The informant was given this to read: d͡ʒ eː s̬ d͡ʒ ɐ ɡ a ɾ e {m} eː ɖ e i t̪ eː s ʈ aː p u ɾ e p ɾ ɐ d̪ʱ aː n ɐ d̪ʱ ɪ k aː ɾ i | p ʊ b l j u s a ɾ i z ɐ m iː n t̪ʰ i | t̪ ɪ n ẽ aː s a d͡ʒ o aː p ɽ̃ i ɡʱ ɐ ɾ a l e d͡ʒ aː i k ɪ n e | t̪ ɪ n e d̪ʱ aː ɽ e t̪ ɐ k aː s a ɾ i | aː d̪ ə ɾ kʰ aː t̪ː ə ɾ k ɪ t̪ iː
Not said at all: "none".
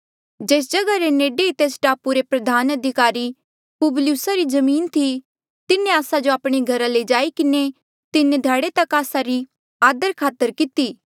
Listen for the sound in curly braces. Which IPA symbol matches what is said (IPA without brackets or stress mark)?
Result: n